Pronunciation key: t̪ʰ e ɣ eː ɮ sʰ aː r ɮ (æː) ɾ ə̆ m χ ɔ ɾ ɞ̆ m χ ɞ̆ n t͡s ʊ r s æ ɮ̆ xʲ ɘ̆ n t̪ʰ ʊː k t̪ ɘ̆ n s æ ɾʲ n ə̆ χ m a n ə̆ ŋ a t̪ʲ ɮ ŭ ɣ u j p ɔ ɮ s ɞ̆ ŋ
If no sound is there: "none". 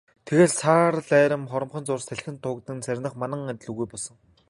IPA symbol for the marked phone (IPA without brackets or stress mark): æː